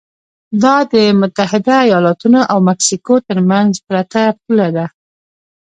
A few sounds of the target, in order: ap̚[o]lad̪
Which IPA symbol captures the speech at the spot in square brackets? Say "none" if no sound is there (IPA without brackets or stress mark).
u